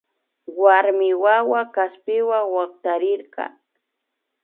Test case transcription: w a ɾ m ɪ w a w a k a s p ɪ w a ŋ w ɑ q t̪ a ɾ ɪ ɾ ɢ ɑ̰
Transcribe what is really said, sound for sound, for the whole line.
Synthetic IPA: w a ɾ m ɪ w a w a k a s p ɪ w a ŋ w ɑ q t̪ a ɾ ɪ ɾ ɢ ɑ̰